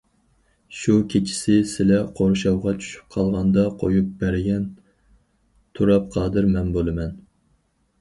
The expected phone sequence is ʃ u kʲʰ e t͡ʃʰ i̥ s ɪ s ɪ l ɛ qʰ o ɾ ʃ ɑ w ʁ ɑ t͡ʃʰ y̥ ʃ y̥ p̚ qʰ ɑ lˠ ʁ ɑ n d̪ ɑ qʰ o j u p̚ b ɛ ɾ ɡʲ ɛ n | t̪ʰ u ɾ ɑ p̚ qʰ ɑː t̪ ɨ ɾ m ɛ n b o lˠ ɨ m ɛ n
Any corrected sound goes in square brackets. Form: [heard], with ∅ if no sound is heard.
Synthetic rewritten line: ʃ u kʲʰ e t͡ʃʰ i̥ s ɪ s ɪ l ɛ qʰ o ɾ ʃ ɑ w ʁ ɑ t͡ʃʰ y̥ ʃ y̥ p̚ qʰ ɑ lˠ ʁ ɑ n d̪ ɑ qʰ o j u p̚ b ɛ ɾ ɡʲ ɛ n | t̪ʰ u ɾ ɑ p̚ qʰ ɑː [d̪] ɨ ɾ m ɛ n b o lˠ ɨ m ɛ n